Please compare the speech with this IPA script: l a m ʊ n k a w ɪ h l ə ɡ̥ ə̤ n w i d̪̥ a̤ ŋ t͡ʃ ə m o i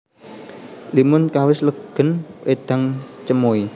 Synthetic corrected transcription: l i m ʊ n k a w ɪ s l ə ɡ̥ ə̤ n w e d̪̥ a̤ ŋ t͡ʃ ə m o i